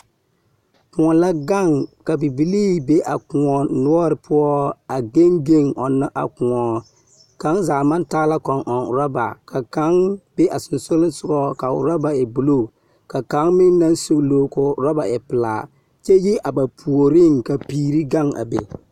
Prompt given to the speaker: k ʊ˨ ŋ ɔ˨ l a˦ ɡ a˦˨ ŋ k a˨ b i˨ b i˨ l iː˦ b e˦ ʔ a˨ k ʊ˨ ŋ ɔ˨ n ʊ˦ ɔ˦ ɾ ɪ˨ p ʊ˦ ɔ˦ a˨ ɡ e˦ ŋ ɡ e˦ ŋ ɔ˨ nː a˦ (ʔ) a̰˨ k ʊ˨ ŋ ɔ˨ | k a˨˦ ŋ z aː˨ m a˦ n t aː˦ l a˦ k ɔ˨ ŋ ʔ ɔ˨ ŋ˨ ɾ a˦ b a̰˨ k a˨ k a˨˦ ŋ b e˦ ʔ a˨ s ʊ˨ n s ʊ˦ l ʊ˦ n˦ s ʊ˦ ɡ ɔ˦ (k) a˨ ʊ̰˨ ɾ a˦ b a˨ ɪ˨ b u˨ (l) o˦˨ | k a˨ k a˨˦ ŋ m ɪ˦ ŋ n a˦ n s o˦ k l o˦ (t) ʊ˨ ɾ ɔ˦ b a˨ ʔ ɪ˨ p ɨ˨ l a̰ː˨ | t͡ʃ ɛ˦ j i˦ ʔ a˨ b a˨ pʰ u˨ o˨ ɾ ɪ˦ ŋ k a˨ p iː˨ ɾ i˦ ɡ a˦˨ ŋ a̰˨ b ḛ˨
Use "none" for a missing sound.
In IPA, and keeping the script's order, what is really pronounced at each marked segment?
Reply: ʔ, k, l, k

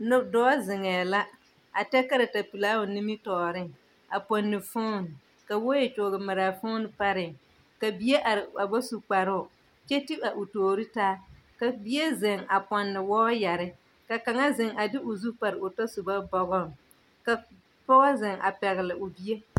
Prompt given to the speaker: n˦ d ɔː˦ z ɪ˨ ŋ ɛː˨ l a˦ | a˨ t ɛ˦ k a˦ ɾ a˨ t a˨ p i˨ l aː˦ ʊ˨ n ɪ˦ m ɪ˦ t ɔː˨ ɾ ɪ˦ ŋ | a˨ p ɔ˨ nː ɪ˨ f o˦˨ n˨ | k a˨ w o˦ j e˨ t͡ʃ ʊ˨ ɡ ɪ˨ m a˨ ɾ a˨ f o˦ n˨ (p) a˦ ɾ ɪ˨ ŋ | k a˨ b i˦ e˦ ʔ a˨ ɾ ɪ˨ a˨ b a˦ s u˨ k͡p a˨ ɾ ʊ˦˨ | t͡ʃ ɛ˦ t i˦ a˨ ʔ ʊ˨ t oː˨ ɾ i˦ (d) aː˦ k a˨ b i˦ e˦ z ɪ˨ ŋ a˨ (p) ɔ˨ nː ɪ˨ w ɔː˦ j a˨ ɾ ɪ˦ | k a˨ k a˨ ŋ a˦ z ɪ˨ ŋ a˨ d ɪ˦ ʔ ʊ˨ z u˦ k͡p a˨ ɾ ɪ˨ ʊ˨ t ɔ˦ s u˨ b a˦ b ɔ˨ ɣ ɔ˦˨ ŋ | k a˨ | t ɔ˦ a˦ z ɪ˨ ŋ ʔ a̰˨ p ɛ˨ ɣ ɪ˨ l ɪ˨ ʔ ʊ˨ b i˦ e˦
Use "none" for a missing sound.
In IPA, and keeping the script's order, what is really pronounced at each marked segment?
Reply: p, t, p

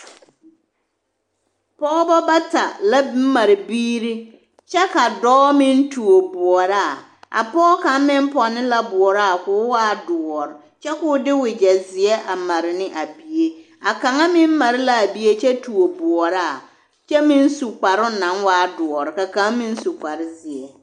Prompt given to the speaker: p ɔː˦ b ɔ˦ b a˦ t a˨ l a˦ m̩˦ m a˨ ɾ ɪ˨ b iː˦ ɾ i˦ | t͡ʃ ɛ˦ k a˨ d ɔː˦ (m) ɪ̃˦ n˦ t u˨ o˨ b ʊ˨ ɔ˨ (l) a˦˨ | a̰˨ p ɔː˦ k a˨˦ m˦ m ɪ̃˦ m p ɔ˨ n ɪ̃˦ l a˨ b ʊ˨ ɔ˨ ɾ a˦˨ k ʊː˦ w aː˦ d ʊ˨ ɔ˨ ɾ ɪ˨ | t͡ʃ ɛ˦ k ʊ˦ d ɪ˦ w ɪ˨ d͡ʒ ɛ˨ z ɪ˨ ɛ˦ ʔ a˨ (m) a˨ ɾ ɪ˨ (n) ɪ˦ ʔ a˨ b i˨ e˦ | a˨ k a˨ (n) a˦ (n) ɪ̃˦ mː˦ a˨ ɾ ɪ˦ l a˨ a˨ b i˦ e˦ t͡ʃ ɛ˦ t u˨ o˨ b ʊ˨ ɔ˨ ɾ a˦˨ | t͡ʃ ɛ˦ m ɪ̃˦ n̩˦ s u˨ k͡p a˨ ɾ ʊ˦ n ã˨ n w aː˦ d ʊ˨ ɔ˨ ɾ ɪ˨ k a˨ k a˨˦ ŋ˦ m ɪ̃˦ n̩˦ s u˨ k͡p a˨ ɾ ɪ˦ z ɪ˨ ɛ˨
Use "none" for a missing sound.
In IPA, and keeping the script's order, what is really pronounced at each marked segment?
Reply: m, ɾ, m, n, ŋ, m

